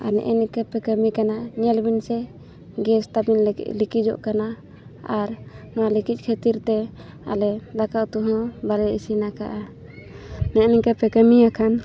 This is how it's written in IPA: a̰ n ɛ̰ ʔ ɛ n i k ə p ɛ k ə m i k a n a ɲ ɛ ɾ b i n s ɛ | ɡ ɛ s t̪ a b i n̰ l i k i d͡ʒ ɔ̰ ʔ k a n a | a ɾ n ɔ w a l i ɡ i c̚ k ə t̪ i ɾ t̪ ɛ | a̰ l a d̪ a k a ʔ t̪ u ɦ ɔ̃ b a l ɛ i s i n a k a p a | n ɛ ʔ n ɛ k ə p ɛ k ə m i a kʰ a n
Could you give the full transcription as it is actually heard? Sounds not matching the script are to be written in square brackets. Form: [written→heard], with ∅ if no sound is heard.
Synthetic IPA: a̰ n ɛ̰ ʔ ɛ n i k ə p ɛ k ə m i k a n a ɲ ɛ [ɾ→l] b i n s ɛ | ɡ ɛ s t̪ a b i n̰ l i k i d͡ʒ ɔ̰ ʔ k a n a | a ɾ n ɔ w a l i [ɡ→k] i c̚ [k→kʰ] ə t̪ i ɾ t̪ ɛ | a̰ l [a→ɛ] d̪ a k a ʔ t̪ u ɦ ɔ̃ b a l ɛ i s i n a k a [p→ʔ] a | n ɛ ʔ n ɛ k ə p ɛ k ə m i a kʰ a n